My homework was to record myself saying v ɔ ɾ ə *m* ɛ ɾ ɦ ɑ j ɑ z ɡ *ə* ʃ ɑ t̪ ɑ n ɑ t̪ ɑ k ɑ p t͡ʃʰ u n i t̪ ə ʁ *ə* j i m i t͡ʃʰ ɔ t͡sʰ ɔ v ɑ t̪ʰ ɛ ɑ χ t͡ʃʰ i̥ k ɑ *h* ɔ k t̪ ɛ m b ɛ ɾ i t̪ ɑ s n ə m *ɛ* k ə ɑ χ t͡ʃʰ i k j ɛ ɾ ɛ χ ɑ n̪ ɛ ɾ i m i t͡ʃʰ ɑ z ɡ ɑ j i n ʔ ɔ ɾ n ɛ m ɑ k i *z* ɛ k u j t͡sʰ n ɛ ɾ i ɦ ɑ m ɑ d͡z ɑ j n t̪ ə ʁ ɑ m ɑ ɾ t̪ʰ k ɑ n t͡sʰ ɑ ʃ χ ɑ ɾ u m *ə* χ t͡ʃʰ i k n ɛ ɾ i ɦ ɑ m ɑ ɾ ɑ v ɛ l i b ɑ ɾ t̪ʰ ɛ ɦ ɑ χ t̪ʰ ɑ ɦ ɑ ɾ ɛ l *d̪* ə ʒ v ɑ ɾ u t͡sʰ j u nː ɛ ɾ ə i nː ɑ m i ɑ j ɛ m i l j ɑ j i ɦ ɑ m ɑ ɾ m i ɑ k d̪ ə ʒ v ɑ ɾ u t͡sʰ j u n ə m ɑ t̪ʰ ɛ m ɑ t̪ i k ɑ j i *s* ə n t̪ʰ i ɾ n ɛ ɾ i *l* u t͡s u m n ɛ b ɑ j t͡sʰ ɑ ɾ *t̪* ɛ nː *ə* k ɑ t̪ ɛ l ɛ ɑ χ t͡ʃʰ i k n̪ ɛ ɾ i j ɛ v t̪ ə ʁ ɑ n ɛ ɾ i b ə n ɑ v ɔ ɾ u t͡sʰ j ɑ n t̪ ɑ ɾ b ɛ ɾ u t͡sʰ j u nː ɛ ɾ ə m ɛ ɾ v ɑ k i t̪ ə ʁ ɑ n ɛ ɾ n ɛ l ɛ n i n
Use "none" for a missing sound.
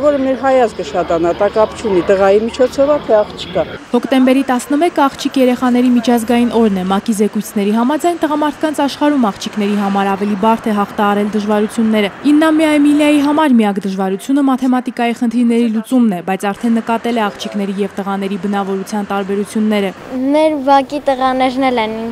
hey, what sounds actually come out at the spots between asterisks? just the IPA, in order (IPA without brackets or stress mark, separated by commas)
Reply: m, ə, ɑ, h, ɛ, z, ɑ, d̪, χ, l, t̪ʰ, ə